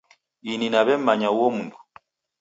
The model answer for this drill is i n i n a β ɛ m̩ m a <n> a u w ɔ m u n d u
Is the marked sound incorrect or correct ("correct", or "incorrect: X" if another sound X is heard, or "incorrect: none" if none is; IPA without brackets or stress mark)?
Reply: incorrect: ɲ